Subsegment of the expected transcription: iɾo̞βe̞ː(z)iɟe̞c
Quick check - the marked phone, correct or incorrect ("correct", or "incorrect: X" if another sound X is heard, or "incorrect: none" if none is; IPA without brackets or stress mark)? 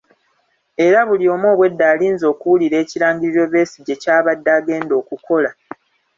incorrect: s